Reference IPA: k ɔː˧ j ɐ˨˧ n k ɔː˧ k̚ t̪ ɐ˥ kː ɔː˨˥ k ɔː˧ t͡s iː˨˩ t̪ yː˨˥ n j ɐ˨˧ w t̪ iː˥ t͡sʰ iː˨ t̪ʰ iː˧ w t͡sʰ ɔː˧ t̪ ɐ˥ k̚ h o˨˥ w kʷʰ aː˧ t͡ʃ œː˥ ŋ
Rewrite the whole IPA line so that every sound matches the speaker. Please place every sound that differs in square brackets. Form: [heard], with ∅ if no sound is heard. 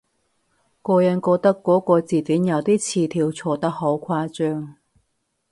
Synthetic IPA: k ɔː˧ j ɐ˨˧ n k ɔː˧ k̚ t̪ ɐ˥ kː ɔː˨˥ k ɔː˧ t͡s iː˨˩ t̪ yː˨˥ n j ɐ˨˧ w t̪ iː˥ t͡sʰ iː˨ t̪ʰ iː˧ w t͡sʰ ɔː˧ t̪ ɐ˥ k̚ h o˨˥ w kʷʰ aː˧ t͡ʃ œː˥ ŋ